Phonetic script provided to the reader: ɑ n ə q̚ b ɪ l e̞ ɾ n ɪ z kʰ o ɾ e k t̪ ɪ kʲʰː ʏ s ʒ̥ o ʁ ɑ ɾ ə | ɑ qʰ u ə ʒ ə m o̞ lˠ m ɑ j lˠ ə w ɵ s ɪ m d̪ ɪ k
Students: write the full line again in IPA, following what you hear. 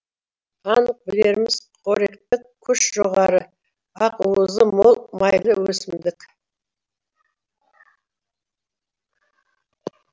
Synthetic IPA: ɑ n ə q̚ b ɪ l e̞ ɾ m ɪ z qʰ o ɾ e k t̪ ɪ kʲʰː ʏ ʃ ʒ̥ o ʁ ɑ ɾ ə | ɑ q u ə z ə m o̞ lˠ m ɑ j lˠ ə w ɵ s ɪ m d̪ ɪ k